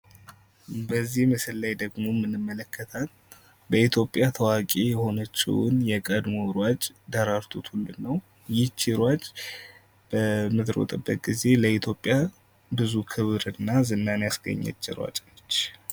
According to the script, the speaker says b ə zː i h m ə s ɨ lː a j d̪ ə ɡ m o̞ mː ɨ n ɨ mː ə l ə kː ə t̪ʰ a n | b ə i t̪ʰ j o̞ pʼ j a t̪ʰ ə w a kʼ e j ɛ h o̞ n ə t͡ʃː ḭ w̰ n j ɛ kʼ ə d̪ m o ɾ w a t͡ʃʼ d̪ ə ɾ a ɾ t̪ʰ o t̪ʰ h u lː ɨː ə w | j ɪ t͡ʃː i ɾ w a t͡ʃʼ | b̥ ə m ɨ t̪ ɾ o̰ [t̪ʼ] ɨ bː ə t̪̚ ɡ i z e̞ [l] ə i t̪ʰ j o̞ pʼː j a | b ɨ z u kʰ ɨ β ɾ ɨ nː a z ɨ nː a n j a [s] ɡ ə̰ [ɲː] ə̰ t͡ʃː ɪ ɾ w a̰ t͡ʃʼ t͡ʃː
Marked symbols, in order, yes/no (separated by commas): yes, yes, yes, yes